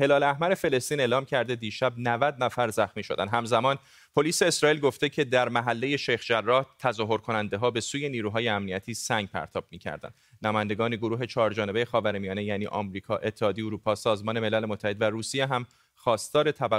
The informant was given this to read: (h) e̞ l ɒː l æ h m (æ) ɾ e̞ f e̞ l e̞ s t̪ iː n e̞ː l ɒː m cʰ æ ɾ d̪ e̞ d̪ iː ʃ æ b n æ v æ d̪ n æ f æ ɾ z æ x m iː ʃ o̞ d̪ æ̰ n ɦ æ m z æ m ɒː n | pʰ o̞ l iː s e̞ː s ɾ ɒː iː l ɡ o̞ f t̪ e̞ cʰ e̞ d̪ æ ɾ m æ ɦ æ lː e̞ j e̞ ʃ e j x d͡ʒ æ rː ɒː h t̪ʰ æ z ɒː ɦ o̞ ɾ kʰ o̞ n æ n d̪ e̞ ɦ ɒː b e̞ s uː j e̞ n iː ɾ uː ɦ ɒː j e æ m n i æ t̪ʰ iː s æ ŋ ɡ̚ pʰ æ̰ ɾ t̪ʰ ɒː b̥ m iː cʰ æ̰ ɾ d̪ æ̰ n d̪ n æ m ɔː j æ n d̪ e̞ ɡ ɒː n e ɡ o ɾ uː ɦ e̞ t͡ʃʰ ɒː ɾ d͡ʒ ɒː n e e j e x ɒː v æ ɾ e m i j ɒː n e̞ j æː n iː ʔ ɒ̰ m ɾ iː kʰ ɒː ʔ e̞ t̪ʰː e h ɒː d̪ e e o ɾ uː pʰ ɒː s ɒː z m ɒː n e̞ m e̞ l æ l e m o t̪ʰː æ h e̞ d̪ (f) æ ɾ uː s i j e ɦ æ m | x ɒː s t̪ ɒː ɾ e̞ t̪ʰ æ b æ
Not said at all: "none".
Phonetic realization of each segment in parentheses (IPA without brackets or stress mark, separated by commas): h, æ, v